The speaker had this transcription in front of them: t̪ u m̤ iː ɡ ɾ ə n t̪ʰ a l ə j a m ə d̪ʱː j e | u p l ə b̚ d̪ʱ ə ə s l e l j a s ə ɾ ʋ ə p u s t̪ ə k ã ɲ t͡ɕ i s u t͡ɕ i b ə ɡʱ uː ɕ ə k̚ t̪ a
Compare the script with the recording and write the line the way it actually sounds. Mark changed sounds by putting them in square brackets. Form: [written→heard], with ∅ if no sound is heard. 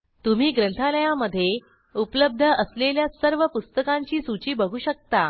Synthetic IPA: t̪ u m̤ iː ɡ ɾ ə n t̪ʰ a l ə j a m ə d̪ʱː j e | u p l ə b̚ d̪ʱ ə ə s l e l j a s ə ɾ ʋ ə p u s t̪ ə k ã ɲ t͡ɕ [i→iː] s u t͡ɕ [i→iː] b ə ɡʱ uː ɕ ə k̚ t̪ a